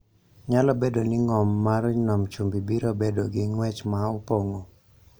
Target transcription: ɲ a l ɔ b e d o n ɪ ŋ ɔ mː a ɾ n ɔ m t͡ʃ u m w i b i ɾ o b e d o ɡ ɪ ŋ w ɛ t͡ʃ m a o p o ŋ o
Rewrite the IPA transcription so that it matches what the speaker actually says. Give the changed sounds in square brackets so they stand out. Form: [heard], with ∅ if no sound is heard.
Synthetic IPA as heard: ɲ a l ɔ b e d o n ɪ ŋ ɔ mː a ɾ n ɔ m t͡ʃ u m [b] i b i ɾ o b e d o ɡ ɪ ŋ w ɛ t͡ʃ m a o p o ŋ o